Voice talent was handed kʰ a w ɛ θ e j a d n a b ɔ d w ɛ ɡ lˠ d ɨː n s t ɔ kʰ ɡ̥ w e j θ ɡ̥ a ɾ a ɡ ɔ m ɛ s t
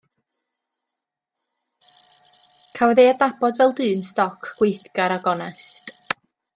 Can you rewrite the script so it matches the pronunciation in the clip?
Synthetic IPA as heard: kʰ a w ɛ ð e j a d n a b ɔ d v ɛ lˠ d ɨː n s t ɔ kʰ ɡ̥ w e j θ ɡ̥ a ɾ a ɡ ɔ n ɛ s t